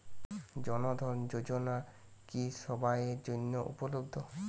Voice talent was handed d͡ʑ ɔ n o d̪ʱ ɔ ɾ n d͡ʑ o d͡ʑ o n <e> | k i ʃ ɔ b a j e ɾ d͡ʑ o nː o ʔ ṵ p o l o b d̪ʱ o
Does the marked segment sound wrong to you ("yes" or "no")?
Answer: yes